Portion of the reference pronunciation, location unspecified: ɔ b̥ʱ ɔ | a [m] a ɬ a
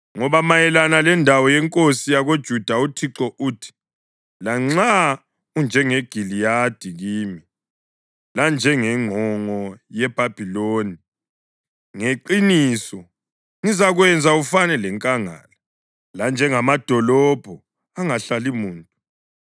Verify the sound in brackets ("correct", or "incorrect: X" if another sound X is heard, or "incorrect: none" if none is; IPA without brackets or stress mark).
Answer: incorrect: ŋ